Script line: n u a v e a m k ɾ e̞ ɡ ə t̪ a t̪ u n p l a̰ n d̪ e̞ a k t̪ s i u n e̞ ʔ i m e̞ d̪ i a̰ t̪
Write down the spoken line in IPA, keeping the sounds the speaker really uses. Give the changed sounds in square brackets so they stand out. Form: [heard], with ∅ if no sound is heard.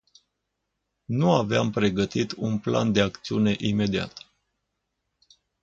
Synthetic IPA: n u a v e a m [p] ɾ e̞ ɡ ə t̪ [i] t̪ u n p l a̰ n d̪ e̞ a k t̪ s i u n e̞ ʔ i m e̞ d̪ i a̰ t̪